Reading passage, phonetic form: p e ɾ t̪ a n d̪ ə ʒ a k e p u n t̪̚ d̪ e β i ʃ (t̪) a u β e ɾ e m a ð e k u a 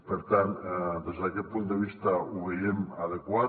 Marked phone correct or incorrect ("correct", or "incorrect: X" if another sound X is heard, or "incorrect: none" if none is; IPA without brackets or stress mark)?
correct